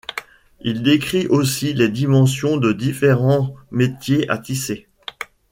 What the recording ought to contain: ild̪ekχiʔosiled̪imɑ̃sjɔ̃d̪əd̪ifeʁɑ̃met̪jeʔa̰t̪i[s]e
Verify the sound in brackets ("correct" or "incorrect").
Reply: correct